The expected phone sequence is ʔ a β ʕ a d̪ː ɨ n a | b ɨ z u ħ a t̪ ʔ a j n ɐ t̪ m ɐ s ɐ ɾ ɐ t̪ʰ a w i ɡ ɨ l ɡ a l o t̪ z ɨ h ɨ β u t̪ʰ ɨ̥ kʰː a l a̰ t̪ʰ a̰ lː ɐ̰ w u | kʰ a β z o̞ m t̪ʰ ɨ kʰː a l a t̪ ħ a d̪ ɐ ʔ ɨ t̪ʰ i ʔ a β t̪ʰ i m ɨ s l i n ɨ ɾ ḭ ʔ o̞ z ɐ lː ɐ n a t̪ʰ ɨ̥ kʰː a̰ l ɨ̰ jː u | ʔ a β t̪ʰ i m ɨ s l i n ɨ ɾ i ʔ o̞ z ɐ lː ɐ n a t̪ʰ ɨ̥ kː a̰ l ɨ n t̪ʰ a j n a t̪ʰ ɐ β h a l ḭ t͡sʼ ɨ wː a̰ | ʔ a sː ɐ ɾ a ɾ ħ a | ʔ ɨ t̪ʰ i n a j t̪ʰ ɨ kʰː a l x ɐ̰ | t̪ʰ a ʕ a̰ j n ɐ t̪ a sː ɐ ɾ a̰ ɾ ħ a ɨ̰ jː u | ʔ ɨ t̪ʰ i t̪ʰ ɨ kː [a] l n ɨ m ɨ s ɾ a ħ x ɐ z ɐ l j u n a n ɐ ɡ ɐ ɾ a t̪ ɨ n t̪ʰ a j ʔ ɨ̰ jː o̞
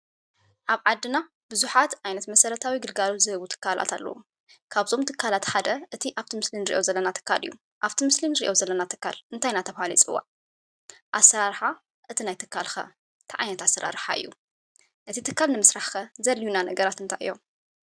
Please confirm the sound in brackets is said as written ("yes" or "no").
yes